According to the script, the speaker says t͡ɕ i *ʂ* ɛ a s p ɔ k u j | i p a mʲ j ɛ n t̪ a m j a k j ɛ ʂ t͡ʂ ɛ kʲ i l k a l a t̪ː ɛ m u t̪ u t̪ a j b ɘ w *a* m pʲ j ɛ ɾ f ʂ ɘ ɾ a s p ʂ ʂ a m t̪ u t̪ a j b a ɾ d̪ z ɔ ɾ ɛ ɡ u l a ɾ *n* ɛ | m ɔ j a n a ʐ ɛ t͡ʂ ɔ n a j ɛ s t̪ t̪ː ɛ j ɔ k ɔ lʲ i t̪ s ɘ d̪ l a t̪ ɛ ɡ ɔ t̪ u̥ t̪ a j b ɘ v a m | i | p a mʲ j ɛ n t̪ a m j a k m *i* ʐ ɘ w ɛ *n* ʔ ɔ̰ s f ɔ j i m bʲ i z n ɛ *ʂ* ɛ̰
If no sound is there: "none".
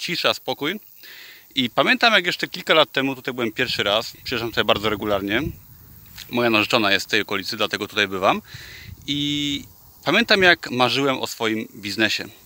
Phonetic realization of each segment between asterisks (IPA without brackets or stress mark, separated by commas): ʂ, ɛ, ɲ, a, m, ɕ